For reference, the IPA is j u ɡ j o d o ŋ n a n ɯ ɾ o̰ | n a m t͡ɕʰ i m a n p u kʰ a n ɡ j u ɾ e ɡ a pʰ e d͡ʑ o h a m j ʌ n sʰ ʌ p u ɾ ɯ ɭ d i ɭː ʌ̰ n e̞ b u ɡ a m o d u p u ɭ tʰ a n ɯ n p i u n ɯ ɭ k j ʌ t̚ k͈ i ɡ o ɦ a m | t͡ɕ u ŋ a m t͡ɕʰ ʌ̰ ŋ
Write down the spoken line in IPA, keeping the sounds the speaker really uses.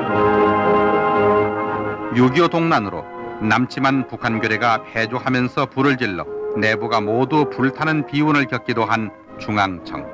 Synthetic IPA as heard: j u ɡ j o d o ŋ n a n ɯ ɾ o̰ | n a m t͡ɕʰ i m a n p u kʰ a n ɡ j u ɾ e ɡ a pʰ e d͡ʑ o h a m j ʌ n sʰ ʌ p u ɾ ɯ ɭ d͡ʑ i ɭː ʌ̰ n e̞ b u ɡ a m o d u p u ɭ tʰ a n ɯ n p i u n ɯ ɭ k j ʌ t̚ k͈ i d o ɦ a n | t͡ɕ u ŋ a ŋ t͡ɕʰ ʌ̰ ŋ